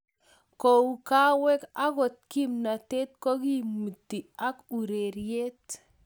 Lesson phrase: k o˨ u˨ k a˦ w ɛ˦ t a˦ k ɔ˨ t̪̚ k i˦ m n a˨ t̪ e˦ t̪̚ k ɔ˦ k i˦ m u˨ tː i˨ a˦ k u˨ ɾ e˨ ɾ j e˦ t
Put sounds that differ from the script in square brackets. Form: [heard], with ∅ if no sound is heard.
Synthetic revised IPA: k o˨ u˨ k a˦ w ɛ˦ [k] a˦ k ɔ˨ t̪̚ k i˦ m n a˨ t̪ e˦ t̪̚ k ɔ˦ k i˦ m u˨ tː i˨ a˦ k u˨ ɾ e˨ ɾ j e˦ t